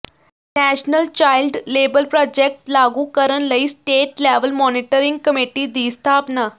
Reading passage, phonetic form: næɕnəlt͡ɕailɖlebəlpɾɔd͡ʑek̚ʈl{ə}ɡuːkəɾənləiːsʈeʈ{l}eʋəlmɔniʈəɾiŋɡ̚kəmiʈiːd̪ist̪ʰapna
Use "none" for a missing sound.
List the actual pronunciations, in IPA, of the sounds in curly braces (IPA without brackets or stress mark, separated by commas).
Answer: a, l